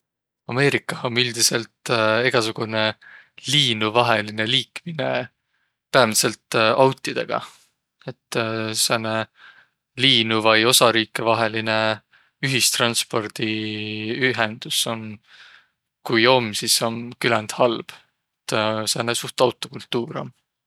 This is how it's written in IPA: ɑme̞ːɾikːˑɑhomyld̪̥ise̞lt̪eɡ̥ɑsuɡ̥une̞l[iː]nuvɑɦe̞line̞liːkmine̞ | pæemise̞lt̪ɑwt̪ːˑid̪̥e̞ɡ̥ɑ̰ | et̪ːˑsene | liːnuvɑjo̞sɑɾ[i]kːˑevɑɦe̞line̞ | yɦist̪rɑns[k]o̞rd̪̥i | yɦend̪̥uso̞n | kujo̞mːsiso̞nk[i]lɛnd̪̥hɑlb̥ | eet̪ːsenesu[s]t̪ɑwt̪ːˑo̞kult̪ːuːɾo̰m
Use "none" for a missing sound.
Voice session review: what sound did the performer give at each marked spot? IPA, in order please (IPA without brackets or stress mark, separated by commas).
iː, iː, p, y, h